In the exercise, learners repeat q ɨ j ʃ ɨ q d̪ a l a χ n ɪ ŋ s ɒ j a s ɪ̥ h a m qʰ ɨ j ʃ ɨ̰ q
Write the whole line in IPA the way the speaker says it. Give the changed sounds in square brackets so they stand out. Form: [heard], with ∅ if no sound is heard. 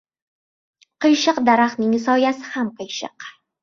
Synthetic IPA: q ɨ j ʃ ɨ q d̪ a [ɾ] a χ n ɪ ŋ s ɒ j a s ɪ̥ h a m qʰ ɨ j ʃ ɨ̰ q